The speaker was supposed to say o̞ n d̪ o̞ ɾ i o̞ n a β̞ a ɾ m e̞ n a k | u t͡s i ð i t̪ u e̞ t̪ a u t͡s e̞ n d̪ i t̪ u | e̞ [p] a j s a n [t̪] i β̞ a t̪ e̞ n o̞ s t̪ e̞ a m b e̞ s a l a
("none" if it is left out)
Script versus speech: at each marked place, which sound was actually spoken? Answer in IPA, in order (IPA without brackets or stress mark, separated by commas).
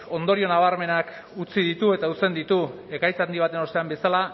k, d̪